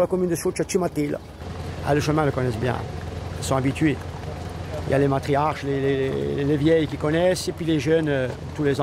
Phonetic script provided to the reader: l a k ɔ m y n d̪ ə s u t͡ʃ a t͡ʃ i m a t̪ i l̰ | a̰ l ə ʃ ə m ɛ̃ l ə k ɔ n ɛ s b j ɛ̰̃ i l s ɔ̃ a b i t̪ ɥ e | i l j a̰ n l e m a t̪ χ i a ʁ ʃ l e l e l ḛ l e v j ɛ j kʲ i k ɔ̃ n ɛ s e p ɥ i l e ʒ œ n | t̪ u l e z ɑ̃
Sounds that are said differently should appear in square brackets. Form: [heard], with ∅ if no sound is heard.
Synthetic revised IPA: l a k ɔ m y n d̪ ə s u t͡ʃ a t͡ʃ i m a t̪ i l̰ | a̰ l ə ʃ ə m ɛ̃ l ə k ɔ n ɛ s b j ɛ̰̃ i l s ɔ̃ a b i t̪ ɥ e | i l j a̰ [∅] l e m a t̪ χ i a ʁ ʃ l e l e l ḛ l e v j ɛ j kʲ i k [ɔ] n ɛ s e p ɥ i l e ʒ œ n | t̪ u l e z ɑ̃